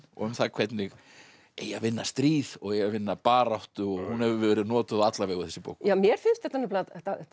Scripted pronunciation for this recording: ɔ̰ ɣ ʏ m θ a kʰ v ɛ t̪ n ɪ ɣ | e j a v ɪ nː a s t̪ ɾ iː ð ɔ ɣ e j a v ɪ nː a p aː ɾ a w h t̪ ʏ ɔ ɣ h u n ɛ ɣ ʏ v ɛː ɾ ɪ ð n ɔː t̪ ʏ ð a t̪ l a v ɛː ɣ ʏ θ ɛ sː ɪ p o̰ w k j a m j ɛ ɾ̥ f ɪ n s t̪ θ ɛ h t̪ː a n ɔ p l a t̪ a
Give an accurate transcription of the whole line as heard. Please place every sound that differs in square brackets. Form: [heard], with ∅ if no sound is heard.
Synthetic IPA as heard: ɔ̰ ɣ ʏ m θ a kʰ v ɛ t̪ n ɪ ɣ | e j a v ɪ nː a s t̪ ɾ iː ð ɔ ɣ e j a v ɪ nː a p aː ɾ a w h t̪ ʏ ɔ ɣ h u n ɛ [v] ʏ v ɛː ɾ ɪ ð n ɔː t̪ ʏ ð a t̪ l a v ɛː ɣ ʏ θ ɛ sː ɪ p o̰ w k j a m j ɛ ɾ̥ f ɪ n s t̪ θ ɛ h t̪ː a n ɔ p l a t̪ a

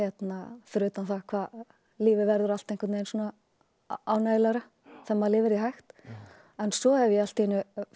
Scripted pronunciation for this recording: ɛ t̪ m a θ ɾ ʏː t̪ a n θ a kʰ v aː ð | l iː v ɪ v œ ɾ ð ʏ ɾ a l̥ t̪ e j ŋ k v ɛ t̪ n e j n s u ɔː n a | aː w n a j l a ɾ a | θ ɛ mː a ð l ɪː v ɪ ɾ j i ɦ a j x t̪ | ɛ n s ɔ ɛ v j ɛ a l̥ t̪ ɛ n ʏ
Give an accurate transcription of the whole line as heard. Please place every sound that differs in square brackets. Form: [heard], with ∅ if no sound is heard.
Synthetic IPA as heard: ɛ t̪ [n] a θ ɾ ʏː t̪ a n θ a kʰ v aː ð | l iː v ɪ v [ɛ] ɾ ð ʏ ɾ a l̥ t̪ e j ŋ k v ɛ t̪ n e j n s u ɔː n a | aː w n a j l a ɾ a | θ ɛ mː a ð l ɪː v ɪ ɾ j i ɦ a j x t̪ | ɛ n s ɔ ɛ v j ɛ a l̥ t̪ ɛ n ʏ

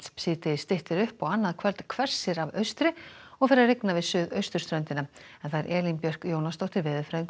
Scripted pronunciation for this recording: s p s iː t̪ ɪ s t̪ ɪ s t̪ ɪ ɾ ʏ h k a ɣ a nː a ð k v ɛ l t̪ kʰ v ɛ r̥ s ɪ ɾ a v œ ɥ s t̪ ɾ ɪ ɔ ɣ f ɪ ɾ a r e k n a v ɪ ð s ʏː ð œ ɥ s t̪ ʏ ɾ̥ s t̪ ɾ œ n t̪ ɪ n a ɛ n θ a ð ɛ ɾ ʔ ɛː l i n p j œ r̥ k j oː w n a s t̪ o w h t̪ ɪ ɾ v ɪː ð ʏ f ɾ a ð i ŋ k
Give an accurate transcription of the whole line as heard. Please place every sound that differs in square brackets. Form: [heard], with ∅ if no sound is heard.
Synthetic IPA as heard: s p s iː t̪ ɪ s t̪ ɪ [h] t̪ ɪ ɾ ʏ h [p] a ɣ a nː a ð [kʰ] v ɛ l t̪ kʰ v ɛ r̥ s ɪ ɾ a v œ ɥ s t̪ ɾ ɪ ɔ ɣ f ɪ ɾ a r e k n a v ɪ ð s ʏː ð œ ɥ s t̪ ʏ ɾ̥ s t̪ ɾ œ n t̪ ɪ n a ɛ n θ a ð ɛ ɾ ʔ ɛː l i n p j œ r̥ k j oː w n a s t̪ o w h t̪ ɪ ɾ v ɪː ð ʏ f ɾ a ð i ŋ k

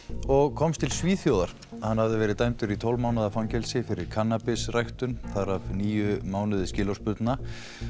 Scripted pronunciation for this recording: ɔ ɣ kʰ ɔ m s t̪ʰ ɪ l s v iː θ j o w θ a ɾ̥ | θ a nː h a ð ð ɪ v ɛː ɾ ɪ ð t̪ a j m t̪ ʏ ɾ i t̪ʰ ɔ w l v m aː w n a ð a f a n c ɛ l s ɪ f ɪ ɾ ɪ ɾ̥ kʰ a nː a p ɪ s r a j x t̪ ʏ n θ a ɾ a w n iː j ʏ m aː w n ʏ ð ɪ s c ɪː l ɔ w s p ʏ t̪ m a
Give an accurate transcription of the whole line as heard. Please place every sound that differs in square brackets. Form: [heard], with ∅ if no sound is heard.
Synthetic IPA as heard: ɔ ɣ kʰ ɔ m s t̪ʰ ɪ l s v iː θ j o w [ð] a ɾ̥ | [h] a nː h a [v] ð ɪ v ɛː ɾ ɪ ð t̪ a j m t̪ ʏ ɾ i t̪ʰ ɔ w l v m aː w n a ð a f a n c ɛ l s ɪ f ɪ ɾ ɪ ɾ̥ kʰ a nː a p ɪ s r a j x t̪ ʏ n θ a ɾ a [v] n iː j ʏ m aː w n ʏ ð ɪ s c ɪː l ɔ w s p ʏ t̪ [n] a

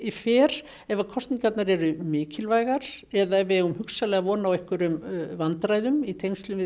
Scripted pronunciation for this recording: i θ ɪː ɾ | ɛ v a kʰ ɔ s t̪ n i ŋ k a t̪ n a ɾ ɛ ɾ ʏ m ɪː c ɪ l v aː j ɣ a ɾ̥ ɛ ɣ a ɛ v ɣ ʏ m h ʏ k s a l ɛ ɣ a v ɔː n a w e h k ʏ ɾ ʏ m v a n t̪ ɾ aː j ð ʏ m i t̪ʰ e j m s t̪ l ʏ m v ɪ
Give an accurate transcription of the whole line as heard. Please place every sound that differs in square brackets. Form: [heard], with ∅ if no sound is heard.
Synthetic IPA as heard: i [f] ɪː ɾ | ɛ v a kʰ ɔ s t̪ n i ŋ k a t̪ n a ɾ ɛ ɾ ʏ m ɪː c ɪ l v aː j ɣ a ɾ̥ ɛ [ð] a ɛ v ɣ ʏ m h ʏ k s a l ɛ ɣ a v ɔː n a w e h k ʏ ɾ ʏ m v a n t̪ ɾ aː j ð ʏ m i t̪ʰ e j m s t̪ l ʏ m v ɪ

